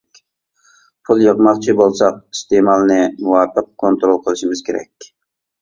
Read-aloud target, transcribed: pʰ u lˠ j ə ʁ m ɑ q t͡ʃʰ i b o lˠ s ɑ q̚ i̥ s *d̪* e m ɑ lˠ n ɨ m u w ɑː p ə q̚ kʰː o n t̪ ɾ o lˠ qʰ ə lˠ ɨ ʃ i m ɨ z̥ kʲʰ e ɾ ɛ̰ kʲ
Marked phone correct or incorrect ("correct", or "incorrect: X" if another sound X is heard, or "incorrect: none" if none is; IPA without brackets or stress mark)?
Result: incorrect: t̪